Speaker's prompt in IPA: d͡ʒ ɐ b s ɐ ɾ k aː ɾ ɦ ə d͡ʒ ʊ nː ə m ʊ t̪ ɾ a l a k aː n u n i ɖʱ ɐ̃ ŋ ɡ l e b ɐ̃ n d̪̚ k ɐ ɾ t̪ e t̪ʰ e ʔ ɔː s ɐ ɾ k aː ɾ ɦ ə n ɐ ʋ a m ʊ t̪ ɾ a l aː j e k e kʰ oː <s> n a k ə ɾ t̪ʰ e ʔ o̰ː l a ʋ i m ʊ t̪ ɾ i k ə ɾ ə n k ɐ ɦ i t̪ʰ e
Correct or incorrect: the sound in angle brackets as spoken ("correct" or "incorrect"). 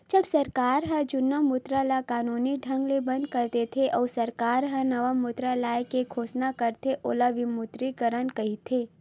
correct